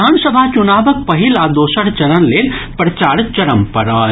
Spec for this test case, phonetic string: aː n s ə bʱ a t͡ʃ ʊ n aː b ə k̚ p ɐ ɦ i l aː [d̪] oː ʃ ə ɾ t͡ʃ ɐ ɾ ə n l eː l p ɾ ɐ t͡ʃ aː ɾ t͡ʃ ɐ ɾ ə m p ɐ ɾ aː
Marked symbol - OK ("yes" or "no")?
yes